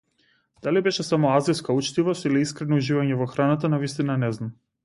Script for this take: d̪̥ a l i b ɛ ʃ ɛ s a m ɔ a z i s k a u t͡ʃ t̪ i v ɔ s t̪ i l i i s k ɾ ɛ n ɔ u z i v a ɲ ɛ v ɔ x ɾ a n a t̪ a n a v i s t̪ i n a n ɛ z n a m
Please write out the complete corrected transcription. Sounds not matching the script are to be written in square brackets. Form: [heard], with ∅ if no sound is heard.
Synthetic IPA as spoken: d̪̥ a l i b ɛ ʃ ɛ s a m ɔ a z i s k a u t͡ʃ t̪ i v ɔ s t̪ i l i i s k ɾ ɛ n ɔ u [ʒ] i v a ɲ ɛ v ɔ x ɾ a n a t̪ a n a v i s t̪ i n a n ɛ z n a m